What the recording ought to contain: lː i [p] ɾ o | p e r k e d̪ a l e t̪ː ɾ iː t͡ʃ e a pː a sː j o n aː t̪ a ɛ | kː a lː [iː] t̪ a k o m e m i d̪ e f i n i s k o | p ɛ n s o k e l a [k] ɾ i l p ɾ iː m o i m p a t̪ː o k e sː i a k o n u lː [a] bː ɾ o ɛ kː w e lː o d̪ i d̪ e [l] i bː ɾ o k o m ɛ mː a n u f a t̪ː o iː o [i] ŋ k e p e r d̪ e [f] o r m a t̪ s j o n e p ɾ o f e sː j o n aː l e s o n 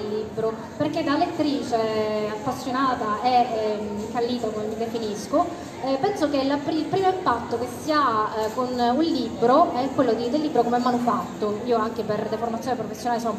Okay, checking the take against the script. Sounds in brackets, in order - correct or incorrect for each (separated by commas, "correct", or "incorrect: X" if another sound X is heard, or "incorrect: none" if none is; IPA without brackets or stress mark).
incorrect: b, correct, incorrect: p, incorrect: i, incorrect: lː, incorrect: a, correct